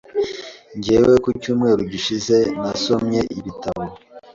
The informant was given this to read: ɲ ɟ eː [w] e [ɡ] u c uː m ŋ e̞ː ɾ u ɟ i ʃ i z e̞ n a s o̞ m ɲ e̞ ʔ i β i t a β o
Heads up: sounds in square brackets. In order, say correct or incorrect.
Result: correct, incorrect: k

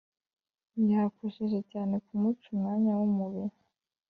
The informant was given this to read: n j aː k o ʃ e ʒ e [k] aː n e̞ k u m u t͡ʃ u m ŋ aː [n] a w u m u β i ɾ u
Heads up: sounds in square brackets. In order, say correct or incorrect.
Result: incorrect: c, incorrect: ɲ

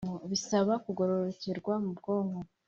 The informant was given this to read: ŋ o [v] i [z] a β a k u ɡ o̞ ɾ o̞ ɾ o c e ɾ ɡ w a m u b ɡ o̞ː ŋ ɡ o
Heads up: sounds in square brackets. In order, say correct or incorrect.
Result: incorrect: β, incorrect: s

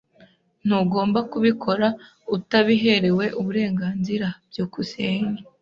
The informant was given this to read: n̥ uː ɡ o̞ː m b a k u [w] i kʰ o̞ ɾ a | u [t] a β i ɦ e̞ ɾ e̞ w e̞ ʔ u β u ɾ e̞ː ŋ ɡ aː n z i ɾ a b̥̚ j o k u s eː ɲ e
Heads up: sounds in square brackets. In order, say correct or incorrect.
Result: incorrect: β, correct

